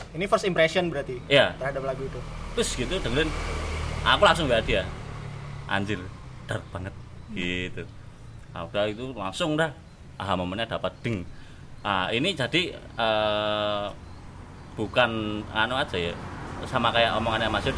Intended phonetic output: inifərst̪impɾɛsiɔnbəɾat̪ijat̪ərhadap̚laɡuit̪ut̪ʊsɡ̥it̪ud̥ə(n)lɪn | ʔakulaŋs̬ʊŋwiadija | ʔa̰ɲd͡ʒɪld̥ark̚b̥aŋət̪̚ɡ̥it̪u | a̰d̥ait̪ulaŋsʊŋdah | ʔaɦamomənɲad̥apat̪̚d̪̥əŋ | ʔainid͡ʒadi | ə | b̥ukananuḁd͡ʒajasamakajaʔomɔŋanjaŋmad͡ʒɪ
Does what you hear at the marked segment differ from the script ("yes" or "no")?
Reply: yes